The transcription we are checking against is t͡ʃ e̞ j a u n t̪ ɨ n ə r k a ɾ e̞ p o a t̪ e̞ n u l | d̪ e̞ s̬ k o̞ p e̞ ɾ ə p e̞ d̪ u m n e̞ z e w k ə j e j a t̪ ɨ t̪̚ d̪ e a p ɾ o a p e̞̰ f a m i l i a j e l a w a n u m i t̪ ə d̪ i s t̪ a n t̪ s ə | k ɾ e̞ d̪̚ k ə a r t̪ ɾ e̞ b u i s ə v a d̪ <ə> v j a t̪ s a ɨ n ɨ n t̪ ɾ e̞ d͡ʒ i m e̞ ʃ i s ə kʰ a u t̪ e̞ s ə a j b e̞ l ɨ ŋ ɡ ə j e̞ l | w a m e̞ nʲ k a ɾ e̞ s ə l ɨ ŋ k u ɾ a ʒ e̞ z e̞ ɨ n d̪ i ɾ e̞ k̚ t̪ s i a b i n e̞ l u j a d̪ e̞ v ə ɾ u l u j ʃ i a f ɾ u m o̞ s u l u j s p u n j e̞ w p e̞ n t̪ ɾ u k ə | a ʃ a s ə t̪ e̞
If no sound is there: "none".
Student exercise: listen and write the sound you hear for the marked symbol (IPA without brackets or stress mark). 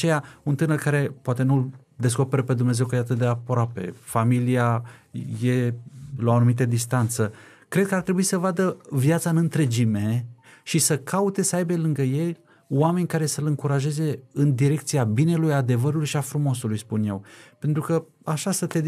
ə